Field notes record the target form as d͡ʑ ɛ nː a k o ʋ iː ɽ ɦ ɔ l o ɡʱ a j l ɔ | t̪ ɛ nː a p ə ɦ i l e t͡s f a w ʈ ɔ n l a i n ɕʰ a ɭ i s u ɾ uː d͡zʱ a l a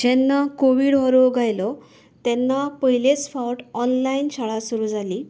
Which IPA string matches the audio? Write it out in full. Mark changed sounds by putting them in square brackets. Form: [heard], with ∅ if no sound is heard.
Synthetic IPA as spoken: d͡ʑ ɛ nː a k o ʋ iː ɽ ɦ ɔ [ɾ] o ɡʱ a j l ɔ | t̪ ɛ nː a p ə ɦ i l e t͡s f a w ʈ ɔ n l a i n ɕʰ a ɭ [a] s u ɾ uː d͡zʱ a l [i]